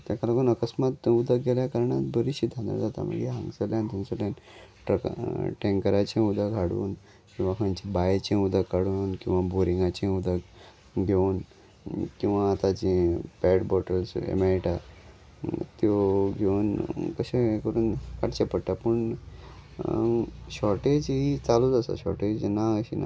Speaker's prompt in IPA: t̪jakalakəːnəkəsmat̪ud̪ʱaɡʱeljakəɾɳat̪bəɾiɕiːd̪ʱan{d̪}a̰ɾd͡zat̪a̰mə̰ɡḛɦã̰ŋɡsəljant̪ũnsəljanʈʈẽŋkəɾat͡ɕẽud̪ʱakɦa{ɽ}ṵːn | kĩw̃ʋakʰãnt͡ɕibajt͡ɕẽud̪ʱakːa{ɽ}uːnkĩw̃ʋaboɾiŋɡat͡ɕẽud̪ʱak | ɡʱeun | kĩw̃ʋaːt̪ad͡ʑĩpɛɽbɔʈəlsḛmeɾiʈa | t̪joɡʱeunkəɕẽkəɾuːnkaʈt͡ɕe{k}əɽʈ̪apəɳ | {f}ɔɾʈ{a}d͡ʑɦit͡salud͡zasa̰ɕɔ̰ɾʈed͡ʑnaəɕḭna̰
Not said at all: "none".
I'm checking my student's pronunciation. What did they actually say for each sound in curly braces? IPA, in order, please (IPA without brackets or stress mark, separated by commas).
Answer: d̪, ɽ, ɽ, p, ɕ, e